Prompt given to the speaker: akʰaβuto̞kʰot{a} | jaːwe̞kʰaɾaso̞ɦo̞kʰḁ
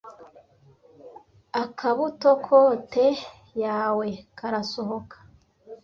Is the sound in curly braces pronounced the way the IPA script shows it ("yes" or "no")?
no